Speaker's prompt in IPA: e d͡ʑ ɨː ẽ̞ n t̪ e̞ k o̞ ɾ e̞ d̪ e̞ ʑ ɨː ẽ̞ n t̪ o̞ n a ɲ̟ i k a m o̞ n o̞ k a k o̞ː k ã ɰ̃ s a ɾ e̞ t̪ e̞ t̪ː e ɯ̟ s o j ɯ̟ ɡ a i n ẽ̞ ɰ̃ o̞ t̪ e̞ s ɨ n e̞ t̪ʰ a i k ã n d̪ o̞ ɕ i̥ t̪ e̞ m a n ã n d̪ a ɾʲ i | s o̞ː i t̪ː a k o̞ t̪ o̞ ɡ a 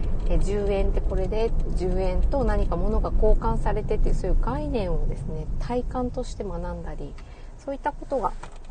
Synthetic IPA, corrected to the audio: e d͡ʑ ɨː ẽ̞ n t̪ e̞ k o̞ ɾ e̞ d̪ e̞ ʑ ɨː ẽ̞ n t̪ o̞ n a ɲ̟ i k a m o̞ n o̞ ɡ a k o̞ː k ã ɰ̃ s a ɾ e̞ t̪ e̞ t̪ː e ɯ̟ s o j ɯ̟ ɡ a i n ẽ̞ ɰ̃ o̞ d̪ e̞ s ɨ n e̞ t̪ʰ a i k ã n t̪ o̞ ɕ i̥ t̪ e̞ m a n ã n d̪ a ɾʲ i | s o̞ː i t̪ː a k o̞ t̪ o̞ ɡ a